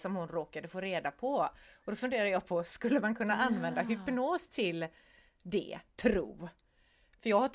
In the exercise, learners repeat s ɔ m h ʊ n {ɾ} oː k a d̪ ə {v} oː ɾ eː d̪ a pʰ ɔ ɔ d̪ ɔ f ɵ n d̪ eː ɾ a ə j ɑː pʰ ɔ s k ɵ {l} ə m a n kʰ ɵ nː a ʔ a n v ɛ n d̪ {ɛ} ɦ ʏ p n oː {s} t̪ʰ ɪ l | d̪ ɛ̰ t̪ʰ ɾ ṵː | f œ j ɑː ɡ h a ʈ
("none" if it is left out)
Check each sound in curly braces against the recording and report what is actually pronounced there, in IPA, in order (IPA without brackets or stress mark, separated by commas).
ɾ, f, lː, a, s